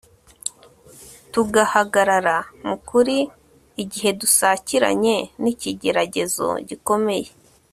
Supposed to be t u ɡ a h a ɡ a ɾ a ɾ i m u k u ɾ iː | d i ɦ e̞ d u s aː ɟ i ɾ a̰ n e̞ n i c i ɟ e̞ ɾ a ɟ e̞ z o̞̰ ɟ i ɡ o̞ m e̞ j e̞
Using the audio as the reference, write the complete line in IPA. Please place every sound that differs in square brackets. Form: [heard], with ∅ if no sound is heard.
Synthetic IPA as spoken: t u ɡ a h a ɡ a ɾ a ɾ [a] m u k u ɾ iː | [ɟ] i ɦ e̞ d u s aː [c] i ɾ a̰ [ɲ] e̞ n i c i ɟ e̞ ɾ a ɟ e̞ z o̞̰ ɟ i [k] o̞ m e̞ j e̞